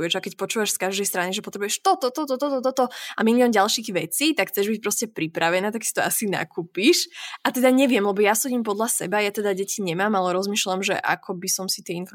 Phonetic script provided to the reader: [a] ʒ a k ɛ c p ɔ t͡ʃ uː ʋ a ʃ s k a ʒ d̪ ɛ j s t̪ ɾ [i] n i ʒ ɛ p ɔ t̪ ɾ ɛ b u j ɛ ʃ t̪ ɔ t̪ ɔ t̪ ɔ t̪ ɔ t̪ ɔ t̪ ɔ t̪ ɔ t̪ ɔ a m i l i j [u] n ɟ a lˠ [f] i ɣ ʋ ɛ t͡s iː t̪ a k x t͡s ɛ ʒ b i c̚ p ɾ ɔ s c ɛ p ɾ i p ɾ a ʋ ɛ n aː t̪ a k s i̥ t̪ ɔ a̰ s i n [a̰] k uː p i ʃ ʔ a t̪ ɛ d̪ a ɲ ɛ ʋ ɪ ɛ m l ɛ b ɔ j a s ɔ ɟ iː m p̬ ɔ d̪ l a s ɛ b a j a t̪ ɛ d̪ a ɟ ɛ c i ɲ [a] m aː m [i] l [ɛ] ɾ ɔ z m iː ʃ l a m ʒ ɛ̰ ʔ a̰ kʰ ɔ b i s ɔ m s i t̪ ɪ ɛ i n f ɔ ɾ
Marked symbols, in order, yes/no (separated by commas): no, no, no, no, yes, no, no, yes